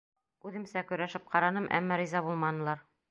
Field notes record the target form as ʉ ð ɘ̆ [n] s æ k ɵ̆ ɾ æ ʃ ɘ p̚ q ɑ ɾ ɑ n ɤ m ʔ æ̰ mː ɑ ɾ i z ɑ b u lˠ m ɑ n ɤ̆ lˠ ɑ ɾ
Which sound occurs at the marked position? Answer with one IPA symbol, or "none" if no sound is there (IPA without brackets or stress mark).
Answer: m